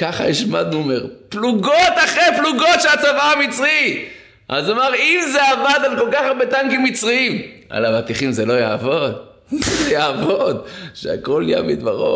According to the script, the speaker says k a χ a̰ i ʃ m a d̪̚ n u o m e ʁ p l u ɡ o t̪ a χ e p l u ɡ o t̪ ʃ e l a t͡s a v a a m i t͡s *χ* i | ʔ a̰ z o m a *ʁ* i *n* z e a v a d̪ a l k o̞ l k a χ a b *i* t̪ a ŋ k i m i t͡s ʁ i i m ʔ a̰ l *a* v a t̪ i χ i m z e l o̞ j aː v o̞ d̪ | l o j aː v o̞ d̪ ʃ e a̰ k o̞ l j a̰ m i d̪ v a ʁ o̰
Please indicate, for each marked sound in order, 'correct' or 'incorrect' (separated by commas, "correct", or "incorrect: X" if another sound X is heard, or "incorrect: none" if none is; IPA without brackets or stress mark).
incorrect: ʁ, correct, incorrect: m, incorrect: e, correct